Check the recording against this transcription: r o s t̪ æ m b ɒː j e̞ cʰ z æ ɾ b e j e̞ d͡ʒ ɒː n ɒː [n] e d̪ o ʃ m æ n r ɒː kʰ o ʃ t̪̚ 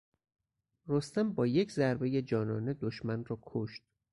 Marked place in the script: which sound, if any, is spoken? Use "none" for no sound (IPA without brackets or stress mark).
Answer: n